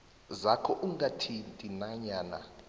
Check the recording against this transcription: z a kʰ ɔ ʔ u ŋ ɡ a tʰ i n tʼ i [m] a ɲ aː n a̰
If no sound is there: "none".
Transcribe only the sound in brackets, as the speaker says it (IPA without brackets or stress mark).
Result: n